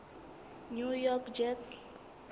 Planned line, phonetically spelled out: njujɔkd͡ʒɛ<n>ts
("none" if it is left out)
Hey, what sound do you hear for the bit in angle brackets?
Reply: none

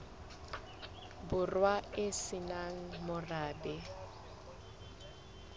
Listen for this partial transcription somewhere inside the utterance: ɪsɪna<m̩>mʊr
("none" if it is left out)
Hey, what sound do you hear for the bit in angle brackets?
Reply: ŋ̩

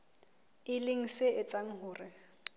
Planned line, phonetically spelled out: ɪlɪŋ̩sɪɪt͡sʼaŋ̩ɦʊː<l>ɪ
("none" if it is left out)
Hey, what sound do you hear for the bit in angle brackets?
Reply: r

